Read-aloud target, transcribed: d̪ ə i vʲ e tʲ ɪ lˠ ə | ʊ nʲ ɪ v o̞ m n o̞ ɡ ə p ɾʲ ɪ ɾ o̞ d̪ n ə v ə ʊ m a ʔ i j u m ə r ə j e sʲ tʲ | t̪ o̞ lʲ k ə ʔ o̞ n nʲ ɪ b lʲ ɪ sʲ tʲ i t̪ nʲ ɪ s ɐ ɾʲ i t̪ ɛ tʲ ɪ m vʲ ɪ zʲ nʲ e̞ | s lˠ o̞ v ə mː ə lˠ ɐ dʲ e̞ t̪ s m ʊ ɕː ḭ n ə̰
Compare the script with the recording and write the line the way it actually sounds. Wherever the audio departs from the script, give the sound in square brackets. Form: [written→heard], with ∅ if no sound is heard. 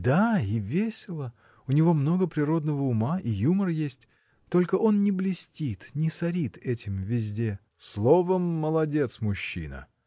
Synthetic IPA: d̪ [ə→a] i vʲ e [tʲ→sʲ] ɪ lˠ ə | ʊ nʲ ɪ v o̞ m n o̞ ɡ ə p ɾʲ ɪ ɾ o̞ d̪ n ə v ə ʊ m a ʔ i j u m ə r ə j e sʲ tʲ | t̪ o̞ lʲ k ə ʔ o̞ n nʲ ɪ b lʲ ɪ sʲ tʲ i t̪ nʲ ɪ s ɐ ɾʲ i t̪ ɛ tʲ ɪ m vʲ ɪ zʲ [nʲ→dʲ] e̞ | s lˠ o̞ v ə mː ə lˠ ɐ dʲ e̞ t̪ s m ʊ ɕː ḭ n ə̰